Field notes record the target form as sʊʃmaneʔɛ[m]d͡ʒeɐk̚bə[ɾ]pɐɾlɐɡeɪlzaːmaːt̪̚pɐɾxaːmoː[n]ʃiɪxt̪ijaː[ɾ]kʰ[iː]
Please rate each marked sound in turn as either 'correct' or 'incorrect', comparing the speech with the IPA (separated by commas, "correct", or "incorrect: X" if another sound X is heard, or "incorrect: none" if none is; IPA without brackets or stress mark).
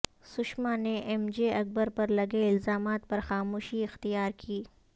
correct, correct, incorrect: none, correct, correct